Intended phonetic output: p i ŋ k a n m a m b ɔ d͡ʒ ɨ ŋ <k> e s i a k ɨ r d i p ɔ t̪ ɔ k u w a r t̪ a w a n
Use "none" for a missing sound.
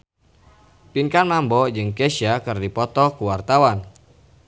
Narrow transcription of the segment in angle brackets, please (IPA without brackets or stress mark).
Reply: k